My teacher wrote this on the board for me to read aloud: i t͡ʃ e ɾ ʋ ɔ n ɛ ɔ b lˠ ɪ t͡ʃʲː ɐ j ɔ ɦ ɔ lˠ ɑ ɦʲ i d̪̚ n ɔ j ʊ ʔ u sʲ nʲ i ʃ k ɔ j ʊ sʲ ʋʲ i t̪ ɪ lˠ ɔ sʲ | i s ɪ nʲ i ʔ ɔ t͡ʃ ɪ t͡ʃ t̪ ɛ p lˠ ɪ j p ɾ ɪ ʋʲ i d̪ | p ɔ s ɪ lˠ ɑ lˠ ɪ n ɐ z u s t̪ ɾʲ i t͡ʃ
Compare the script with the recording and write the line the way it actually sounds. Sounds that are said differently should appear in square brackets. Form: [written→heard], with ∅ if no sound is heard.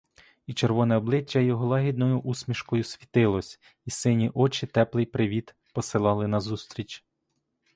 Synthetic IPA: i t͡ʃ e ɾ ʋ ɔ n ɛ ɔ b lˠ ɪ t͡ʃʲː ɐ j ɔ ɦ ɔ lˠ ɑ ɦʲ i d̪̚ n ɔ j ʊ ʔ u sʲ [nʲ→mʲ] i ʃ k ɔ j ʊ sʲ ʋʲ i t̪ ɪ lˠ ɔ sʲ | i s ɪ nʲ i ʔ ɔ t͡ʃ ɪ [t͡ʃ→∅] t̪ ɛ p lˠ ɪ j p ɾ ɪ ʋʲ i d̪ | p ɔ s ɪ lˠ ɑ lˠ ɪ n ɐ z u s t̪ ɾʲ i t͡ʃ